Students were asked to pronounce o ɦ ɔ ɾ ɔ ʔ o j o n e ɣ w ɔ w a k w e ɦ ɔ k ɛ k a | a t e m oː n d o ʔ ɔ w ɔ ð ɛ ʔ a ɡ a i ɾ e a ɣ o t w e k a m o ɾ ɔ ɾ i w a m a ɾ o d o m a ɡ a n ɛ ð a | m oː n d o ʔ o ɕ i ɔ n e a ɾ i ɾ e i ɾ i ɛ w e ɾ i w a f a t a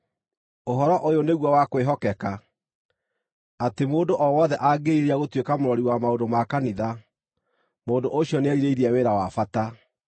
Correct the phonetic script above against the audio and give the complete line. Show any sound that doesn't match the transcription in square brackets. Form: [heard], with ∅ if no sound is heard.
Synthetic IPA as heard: o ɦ ɔ ɾ ɔ ʔ o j o n e ɣ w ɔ w a k w e ɦ ɔ k ɛ k a | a t e m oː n d o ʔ ɔ w ɔ ð ɛ ʔ a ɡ [e] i ɾ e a ɣ o t w e k a m o ɾ ɔ ɾ i w a m a [∅] o d o m a [k] a n [i] ð a | m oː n d o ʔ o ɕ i ɔ n e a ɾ i ɾ e i ɾ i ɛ w e ɾ [a] w a f a t a